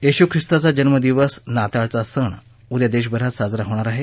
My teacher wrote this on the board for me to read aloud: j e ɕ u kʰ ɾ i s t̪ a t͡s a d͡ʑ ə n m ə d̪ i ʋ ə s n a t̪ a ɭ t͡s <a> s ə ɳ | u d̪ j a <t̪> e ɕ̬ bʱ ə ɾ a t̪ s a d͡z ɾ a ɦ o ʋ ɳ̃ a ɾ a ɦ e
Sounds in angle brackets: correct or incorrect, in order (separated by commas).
correct, incorrect